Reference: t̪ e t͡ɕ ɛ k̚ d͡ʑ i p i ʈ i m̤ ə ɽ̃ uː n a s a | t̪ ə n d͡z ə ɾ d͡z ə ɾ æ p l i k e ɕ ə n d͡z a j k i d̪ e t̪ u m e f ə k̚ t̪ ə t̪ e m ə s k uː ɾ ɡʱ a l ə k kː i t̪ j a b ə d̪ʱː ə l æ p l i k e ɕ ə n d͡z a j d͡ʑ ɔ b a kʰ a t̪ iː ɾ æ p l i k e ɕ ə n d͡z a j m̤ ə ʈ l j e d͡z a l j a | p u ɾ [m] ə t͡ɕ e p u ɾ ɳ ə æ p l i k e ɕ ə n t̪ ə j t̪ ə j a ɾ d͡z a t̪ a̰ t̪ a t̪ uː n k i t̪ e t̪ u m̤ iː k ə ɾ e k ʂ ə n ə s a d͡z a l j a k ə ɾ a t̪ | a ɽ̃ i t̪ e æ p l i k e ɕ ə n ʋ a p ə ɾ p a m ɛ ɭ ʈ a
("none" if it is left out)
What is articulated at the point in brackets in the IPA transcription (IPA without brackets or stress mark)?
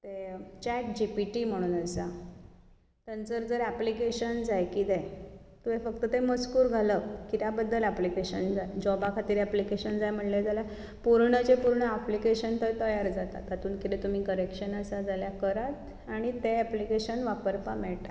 ɳ